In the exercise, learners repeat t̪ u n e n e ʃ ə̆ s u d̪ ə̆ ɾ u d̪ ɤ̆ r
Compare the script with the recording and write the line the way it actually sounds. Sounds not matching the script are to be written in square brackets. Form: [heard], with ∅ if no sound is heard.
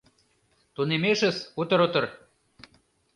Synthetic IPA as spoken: t̪ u n e [m] e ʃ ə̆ s u [t̪] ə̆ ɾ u [t̪] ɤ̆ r